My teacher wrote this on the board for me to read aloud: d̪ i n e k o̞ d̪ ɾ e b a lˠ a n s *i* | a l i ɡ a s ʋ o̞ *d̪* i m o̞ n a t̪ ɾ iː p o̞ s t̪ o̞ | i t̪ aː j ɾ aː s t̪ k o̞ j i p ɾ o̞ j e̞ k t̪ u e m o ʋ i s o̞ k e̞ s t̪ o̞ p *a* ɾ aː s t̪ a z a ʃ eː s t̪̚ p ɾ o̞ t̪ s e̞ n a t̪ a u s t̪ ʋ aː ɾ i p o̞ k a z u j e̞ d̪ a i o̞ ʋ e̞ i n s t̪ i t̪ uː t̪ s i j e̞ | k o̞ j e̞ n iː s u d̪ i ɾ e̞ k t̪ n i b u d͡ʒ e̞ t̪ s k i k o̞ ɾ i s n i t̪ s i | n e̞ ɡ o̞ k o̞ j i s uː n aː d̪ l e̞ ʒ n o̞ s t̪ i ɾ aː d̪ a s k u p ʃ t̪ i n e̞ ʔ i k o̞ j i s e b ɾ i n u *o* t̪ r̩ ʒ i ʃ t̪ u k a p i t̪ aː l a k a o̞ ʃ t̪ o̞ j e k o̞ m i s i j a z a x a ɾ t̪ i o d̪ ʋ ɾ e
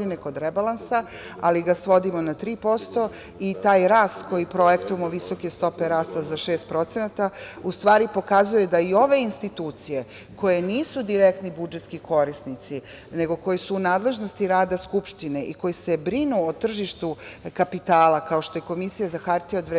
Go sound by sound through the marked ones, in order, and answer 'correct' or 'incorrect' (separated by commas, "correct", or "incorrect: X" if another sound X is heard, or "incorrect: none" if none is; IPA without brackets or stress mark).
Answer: incorrect: a, correct, incorrect: e, correct